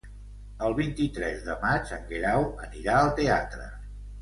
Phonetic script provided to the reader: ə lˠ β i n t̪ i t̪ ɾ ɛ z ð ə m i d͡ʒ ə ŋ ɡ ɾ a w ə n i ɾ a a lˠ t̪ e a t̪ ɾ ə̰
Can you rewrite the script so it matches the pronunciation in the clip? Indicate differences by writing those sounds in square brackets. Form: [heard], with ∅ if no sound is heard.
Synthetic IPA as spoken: ə lˠ β i n t̪ i t̪ ɾ ɛ z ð ə m [a] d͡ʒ ə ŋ ɡ ɾ a w ə n i ɾ a [ə] lˠ t̪ e a t̪ ɾ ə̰